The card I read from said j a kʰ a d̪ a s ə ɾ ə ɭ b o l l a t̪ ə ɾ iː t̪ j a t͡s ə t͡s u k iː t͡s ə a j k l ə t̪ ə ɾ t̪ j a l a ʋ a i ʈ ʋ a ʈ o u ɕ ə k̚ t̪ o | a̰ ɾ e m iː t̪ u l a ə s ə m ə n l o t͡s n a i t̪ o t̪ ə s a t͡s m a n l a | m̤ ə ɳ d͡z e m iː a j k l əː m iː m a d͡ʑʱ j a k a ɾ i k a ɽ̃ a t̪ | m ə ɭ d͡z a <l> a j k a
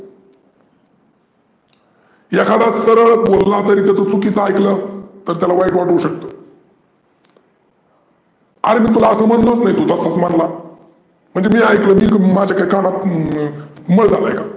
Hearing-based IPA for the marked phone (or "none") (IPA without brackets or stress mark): l